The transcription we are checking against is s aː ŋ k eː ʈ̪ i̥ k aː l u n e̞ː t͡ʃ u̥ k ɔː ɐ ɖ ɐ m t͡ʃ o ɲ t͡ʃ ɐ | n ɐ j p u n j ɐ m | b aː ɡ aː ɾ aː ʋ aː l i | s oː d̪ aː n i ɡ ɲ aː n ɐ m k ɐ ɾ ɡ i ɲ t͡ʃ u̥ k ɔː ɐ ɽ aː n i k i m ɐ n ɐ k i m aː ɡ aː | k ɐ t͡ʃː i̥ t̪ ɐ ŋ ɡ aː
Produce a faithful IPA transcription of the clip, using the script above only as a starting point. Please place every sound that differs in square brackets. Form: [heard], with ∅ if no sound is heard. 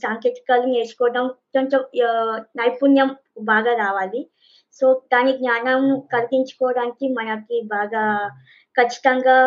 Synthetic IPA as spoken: s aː ŋ k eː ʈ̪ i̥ k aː l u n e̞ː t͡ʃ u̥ k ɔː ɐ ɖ ɐ m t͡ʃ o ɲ t͡ʃ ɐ | n ɐ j p u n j ɐ m | b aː ɡ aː ɾ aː ʋ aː l i | s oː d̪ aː n i ɡ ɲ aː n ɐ m k ɐ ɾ ɡ i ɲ t͡ʃ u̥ k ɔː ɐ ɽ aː n i k i m ɐ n ɐ k i [b] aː ɡ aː | k ɐ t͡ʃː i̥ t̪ ɐ ŋ ɡ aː